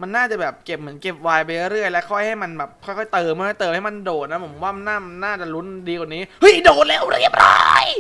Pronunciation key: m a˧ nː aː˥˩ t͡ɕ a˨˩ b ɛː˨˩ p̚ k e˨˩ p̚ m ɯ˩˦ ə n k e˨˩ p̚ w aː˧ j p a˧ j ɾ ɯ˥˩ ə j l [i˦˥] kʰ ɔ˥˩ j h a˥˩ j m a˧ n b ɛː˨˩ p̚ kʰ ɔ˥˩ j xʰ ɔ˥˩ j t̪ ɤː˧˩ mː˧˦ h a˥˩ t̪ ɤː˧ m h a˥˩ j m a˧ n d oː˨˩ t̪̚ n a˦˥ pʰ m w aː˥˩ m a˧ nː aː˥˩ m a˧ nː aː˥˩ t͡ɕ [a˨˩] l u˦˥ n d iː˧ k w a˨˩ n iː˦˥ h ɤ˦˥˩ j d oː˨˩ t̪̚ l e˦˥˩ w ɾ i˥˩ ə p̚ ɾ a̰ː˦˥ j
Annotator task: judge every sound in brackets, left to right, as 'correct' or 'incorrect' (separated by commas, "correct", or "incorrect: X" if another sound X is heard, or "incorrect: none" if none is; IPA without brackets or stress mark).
incorrect: ɛ˦˥, correct